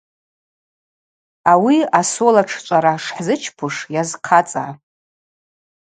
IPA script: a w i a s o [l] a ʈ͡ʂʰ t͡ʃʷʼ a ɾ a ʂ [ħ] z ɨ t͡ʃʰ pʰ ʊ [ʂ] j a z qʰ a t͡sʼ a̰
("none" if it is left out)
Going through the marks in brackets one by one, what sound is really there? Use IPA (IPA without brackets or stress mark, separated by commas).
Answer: l, ħ, ʂ